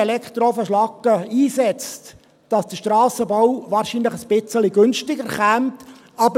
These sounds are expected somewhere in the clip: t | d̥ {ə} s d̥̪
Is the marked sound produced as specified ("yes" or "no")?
no